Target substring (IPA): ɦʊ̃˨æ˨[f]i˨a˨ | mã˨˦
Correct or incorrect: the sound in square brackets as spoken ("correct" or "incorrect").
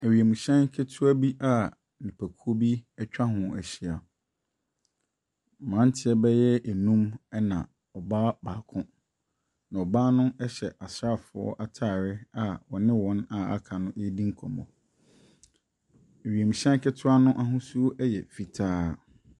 incorrect